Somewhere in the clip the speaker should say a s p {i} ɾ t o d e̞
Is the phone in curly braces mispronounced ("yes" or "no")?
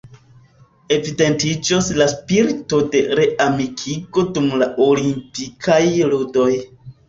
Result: no